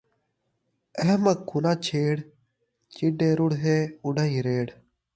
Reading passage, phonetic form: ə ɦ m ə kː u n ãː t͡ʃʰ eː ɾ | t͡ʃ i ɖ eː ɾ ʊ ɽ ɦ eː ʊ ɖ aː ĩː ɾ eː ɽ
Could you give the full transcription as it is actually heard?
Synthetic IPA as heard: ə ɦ m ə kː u n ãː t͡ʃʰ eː ɽ | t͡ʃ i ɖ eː ɾ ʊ ɽ ɦ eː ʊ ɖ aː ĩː ɾ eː ɽ